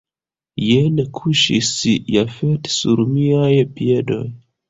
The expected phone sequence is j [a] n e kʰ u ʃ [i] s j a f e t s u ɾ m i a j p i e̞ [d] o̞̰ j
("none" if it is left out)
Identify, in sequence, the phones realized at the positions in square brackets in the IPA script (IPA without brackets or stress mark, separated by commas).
e, i, d